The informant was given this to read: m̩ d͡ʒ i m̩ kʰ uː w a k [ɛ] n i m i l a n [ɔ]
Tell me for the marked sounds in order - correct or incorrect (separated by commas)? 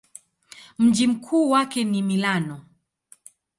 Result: correct, correct